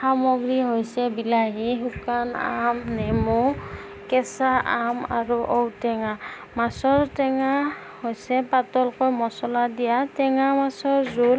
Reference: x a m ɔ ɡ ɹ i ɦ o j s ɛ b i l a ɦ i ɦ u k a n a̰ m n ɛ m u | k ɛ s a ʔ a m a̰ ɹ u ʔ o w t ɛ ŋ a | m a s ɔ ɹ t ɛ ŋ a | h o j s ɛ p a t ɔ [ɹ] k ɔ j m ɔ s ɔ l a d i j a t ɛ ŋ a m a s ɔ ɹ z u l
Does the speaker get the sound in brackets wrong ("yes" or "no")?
yes